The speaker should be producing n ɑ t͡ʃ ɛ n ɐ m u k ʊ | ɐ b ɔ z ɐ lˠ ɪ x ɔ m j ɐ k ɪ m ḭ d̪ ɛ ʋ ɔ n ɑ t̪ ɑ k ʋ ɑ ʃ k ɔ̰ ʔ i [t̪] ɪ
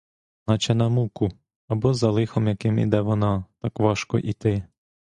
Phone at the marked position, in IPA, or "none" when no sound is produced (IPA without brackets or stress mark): t̪